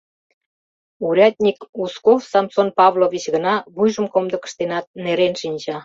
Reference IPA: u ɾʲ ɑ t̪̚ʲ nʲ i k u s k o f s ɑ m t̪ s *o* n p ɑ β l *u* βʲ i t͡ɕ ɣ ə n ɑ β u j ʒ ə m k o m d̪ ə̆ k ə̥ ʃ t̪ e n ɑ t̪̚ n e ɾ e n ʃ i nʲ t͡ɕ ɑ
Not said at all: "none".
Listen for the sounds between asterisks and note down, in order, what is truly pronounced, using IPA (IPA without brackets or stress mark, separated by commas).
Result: o, o